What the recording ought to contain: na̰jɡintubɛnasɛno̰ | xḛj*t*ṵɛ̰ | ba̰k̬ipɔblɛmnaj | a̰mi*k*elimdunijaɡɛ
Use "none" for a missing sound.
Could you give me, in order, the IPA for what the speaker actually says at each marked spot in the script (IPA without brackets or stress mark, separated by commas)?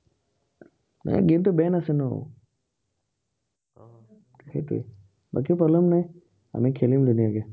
t, kʰ